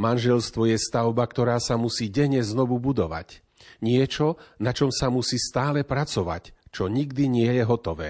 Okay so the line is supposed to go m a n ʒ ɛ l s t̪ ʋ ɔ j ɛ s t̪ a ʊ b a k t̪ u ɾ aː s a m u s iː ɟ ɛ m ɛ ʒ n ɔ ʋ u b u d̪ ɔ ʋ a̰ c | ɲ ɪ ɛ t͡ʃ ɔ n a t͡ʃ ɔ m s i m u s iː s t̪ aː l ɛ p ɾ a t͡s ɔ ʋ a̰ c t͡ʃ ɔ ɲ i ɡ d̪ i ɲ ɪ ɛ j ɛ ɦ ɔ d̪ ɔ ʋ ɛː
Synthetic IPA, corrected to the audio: m a n ʒ ɛ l s t̪ ʋ ɔ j ɛ s t̪ a ʊ b a k t̪ ɔ ɾ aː s a m u s iː ɟ ɛ ɲ ɛ z n ɔ ʋ u b u d̪ ɔ ʋ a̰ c | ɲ ɪ ɛ t͡ʃ ɔ n a t͡ʃ ɔ m s a m u s iː s t̪ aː l ɛ p ɾ a t͡s ɔ ʋ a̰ c t͡ʃ ɔ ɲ i ɡ d̪ i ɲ ɪ ɛ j ɛ ɦ ɔ t̪ ɔ ʋ ɛː